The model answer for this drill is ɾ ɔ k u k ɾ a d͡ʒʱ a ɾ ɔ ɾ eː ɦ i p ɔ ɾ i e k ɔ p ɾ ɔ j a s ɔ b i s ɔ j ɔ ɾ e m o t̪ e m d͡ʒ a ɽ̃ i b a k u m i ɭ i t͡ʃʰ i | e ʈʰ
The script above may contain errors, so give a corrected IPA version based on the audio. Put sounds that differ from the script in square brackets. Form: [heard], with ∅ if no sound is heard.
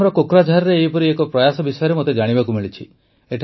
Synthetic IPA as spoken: ɾ ɔ k [o] k ɾ a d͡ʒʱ a ɾ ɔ ɾ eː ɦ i p ɔ ɾ i e k ɔ p ɾ ɔ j a s ɔ b i s ɔ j ɔ ɾ e m o t̪ e [∅] d͡ʒ a ɽ̃ i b a k u m i ɭ i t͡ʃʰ i | e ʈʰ